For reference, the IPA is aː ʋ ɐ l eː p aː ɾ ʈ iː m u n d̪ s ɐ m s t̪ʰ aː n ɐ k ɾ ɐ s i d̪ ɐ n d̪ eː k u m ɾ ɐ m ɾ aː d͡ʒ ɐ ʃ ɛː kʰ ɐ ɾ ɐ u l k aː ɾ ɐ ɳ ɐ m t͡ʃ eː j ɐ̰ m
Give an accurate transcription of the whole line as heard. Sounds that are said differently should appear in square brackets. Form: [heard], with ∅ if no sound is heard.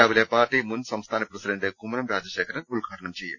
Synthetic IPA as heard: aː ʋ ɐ l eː p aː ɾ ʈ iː m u n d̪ s ɐ m s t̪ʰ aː n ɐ [p] ɾ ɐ s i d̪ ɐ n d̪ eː k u m ɾ ɐ m ɾ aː d͡ʒ ɐ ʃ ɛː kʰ ɐ ɾ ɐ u l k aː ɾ ɐ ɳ ɐ m t͡ʃ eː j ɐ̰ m